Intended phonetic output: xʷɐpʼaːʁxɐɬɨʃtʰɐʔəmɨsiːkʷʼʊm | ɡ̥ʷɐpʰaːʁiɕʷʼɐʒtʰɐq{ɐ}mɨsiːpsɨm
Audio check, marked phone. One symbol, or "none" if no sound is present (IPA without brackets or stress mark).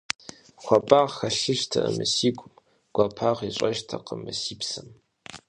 ə